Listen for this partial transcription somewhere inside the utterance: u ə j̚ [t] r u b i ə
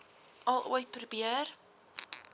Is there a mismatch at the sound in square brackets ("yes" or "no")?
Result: yes